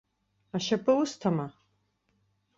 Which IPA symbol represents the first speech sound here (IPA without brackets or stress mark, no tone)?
a